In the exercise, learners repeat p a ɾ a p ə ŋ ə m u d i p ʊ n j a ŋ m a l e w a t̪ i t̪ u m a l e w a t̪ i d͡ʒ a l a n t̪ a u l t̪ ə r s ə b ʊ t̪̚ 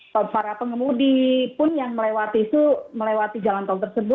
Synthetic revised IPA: p a ɾ a p ə ŋ ə m u d i p ʊ n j a ŋ m ə l e w a t̪ i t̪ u m ə l e w a t̪ i d͡ʒ a l a n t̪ a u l t̪ ə r s ə b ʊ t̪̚